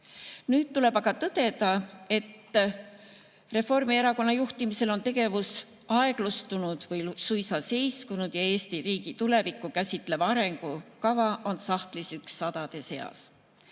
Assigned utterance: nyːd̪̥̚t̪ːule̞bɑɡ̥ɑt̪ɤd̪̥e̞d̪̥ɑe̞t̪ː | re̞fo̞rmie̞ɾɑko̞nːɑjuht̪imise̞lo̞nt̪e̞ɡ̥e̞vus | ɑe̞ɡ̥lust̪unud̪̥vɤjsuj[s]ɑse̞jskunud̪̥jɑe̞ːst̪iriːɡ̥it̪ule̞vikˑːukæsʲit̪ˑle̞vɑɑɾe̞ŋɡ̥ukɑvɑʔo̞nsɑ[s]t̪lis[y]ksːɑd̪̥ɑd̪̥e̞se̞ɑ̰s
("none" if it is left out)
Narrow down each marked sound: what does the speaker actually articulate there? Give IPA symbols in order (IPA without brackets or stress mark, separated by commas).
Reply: s, h, y